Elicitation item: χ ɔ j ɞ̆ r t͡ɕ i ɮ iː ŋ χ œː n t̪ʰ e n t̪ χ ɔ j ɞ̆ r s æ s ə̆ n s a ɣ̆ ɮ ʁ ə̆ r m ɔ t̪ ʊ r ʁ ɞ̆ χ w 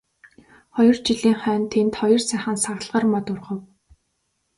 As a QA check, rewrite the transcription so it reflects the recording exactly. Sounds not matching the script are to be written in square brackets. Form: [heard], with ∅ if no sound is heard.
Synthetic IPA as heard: χ ɔ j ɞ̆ r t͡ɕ i ɮ iː ŋ χ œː n t̪ʰ e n t̪ χ ɔ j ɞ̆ r s æ [χ] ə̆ n s a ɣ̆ ɮ ʁ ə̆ r m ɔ t̪ ʊ r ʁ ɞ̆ [∅] w